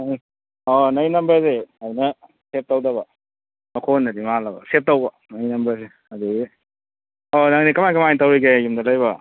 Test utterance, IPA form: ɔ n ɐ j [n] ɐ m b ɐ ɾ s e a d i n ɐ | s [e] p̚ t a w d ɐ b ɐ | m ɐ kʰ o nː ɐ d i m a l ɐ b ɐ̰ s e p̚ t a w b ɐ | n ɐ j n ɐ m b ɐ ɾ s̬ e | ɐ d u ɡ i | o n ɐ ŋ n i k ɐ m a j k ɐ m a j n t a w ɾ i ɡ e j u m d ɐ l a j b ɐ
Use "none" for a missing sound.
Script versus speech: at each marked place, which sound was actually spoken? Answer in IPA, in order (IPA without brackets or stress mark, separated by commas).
n, e